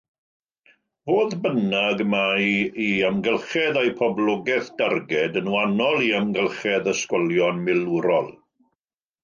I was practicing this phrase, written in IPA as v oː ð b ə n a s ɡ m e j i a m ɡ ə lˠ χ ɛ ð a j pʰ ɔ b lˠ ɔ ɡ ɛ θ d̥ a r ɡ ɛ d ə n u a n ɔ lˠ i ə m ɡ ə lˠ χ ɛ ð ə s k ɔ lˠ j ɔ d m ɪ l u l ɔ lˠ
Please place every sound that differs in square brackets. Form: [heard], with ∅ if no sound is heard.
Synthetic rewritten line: v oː ð b ə n a [∅] ɡ m [a] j i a m ɡ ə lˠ χ ɛ ð a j pʰ ɔ b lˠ ɔ ɡ ɛ θ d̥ a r ɡ ɛ d ə n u a n ɔ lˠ i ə m ɡ ə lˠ χ ɛ ð ə s k ɔ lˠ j ɔ [n] m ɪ l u [ɾ] ɔ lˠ